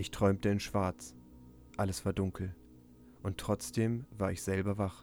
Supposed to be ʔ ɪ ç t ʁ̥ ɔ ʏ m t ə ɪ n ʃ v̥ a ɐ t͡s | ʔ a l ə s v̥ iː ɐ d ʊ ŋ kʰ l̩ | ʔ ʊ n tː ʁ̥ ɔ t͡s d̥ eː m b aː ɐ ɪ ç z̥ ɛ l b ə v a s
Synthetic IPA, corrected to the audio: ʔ ɪ ç t ʁ̥ ɔ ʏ m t ə ɪ n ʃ v̥ a ɐ t͡s | ʔ a l ə s v̥ aː ɐ d ʊ ŋ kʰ l̩ | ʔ ʊ n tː ʁ̥ ɔ t͡s d̥ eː m v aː ɐ ɪ ç z̥ ɛ l b ɐ v a χ